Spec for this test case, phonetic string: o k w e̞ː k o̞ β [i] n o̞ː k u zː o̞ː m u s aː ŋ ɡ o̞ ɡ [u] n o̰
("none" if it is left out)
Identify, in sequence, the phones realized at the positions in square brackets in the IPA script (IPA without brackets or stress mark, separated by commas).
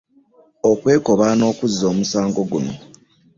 a, u